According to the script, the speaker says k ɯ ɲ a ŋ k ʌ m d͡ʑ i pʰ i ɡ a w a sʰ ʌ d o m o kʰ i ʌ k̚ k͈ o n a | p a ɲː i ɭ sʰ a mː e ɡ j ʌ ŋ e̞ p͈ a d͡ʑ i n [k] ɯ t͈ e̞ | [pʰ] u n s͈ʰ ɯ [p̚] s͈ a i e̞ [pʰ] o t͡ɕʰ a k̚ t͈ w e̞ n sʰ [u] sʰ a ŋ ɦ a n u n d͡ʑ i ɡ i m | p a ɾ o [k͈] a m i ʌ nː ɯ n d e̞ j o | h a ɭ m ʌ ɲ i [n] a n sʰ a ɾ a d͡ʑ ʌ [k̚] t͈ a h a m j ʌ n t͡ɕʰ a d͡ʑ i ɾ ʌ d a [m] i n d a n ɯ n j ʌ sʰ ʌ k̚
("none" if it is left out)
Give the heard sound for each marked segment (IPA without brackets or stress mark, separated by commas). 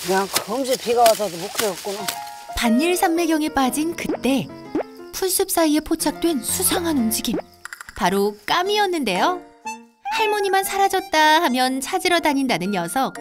k, pʰ, p̚, pʰ, u, k͈, m, t̚, ɲ